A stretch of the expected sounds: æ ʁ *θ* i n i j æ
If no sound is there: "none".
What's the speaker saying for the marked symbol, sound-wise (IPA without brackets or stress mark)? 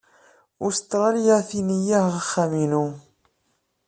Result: θ